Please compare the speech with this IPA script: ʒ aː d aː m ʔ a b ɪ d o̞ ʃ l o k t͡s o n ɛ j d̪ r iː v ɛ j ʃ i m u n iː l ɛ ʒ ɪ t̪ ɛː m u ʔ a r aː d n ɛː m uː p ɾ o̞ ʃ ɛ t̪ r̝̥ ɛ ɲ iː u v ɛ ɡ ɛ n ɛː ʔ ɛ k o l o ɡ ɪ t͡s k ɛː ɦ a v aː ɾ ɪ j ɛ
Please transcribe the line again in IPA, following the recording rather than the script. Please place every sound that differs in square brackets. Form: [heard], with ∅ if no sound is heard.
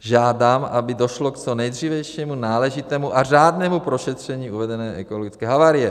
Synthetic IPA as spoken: ʒ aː d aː m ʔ a b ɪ d o̞ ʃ l o k t͡s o n ɛ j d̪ r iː v ɛ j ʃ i m u n [aː] l ɛ ʒ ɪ t̪ ɛː m u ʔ a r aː d n ɛː m [u] p ɾ o̞ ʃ ɛ t̪ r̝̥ ɛ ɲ iː u v ɛ [d] ɛ n ɛː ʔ ɛ k o l o ɡ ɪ t͡s k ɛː ɦ a v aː ɾ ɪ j ɛ